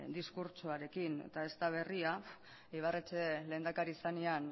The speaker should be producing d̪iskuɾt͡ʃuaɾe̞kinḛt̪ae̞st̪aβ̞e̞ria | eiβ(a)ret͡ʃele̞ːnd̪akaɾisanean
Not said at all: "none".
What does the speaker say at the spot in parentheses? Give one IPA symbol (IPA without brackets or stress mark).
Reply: a